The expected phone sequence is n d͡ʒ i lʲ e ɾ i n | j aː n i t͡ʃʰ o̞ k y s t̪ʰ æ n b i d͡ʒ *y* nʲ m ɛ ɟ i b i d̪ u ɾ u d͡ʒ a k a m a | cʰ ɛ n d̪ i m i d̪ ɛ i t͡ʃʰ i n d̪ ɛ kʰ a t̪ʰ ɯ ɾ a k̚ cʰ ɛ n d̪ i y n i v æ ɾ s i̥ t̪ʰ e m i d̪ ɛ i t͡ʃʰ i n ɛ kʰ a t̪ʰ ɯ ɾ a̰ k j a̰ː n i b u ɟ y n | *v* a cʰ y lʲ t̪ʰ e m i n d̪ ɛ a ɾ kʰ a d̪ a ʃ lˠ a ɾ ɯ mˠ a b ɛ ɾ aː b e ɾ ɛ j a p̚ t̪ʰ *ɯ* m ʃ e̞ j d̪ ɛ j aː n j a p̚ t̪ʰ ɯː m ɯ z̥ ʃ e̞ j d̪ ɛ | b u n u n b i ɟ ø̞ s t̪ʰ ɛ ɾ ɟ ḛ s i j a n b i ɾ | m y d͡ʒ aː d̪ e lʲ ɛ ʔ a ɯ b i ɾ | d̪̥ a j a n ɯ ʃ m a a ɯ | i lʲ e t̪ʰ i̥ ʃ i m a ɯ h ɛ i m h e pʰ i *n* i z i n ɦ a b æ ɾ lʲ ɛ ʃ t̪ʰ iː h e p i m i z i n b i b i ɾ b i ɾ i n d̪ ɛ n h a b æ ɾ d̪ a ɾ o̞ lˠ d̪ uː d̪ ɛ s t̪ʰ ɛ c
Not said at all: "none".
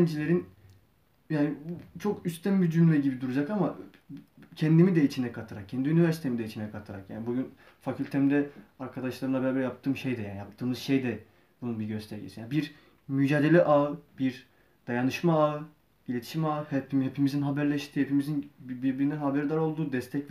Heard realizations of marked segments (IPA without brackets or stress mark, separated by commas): y, f, ɯː, m